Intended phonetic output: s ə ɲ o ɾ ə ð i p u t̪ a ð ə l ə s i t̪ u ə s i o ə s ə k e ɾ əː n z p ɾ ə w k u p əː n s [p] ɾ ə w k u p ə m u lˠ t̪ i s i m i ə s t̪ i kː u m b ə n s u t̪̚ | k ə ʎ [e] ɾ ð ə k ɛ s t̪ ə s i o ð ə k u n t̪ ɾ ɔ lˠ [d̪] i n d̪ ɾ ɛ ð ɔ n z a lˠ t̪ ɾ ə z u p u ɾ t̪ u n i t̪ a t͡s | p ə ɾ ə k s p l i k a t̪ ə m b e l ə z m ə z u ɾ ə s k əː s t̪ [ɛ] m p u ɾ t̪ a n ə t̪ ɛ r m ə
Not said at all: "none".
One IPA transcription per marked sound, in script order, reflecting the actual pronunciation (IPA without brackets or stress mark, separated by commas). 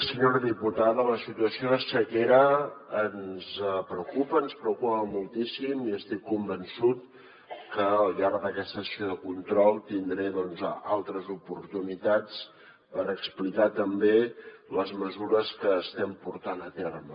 p, a, t̪, ɛ